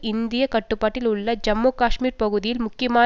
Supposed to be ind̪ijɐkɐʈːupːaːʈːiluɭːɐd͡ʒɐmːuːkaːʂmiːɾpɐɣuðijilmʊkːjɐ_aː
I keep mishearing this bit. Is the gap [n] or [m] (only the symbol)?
m